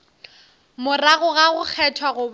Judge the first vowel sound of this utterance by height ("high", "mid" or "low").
high